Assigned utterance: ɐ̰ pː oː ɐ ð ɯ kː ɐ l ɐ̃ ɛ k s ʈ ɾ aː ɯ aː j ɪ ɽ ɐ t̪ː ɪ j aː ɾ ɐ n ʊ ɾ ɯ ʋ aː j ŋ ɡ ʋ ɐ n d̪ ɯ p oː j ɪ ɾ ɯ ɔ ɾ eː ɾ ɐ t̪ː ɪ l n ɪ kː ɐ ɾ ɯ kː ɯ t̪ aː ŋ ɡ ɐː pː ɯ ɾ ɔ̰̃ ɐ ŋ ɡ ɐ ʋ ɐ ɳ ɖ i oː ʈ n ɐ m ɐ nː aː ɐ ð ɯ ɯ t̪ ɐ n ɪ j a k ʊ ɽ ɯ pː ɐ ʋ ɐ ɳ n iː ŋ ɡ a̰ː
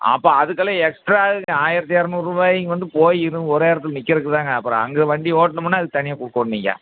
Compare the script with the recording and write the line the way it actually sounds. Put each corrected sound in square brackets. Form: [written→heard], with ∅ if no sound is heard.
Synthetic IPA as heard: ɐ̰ pː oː ɐ ð ɯ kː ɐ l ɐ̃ ɛ k s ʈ ɾ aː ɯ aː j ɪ [ɽ→ɾ] ɐ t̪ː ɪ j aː ɾ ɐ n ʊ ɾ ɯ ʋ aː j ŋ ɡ ʋ ɐ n d̪ ɯ p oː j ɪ ɾ ɯ ɔ ɾ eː ɾ ɐ t̪ː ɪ l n ɪ kː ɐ ɾ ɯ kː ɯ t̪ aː ŋ ɡ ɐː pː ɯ ɾ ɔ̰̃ ɐ ŋ ɡ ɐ ʋ ɐ ɳ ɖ i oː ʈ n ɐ m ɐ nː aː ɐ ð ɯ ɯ t̪ ɐ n ɪ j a k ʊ ɽ ɯ [pː→kː] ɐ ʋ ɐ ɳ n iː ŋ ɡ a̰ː